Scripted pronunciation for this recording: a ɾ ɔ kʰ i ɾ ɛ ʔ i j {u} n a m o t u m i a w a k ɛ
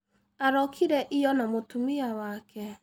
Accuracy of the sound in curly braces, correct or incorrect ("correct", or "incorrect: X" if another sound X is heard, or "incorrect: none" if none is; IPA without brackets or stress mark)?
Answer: incorrect: ɔ